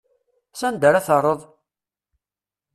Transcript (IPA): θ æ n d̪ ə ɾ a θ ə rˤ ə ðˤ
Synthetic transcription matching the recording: s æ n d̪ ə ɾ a θ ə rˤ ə ðˤ